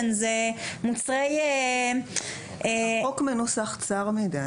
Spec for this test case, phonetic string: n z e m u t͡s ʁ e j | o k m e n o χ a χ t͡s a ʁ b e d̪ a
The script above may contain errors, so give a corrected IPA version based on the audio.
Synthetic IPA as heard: n z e m u t͡s ʁ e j | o k m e n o s a χ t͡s a ʁ m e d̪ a